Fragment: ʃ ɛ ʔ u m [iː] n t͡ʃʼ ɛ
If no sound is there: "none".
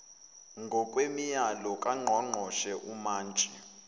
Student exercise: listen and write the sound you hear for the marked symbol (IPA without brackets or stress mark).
aː